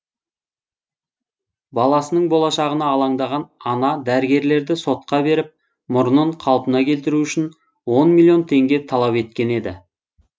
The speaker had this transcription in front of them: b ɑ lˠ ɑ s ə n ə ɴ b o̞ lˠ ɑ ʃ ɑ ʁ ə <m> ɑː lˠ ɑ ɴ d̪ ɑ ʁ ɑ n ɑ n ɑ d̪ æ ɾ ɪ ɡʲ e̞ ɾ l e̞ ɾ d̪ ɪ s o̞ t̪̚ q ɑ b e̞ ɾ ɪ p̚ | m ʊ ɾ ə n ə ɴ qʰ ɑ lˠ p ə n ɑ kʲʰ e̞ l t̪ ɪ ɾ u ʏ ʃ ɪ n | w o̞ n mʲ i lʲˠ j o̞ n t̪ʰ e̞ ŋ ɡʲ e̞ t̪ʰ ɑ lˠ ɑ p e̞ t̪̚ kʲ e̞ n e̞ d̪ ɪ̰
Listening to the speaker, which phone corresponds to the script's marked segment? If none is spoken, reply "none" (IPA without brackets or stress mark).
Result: n